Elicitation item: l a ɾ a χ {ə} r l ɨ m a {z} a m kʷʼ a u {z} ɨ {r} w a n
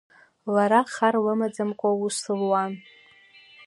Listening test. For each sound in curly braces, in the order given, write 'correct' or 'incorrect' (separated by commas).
incorrect, incorrect, incorrect, incorrect